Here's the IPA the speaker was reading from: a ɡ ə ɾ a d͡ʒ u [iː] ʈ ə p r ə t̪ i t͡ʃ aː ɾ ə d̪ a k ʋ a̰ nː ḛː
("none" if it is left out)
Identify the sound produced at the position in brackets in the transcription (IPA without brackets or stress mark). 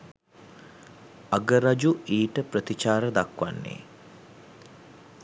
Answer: iː